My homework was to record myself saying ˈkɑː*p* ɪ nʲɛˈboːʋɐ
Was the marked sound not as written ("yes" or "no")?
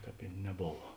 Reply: no